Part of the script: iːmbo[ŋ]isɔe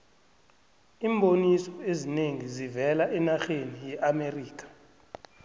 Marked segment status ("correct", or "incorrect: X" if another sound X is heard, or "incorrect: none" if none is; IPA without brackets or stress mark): incorrect: n